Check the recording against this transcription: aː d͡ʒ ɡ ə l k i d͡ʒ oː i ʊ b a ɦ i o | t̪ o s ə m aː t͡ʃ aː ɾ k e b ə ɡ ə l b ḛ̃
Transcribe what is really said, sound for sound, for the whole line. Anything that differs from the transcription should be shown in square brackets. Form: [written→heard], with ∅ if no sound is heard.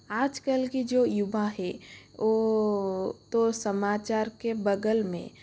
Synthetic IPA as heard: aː d͡ʒ [ɡ→k] ə l k i d͡ʒ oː [i→j] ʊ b a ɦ [i→ɛ] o | t̪ o s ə m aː t͡ʃ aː ɾ k e b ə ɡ ə l [b→m] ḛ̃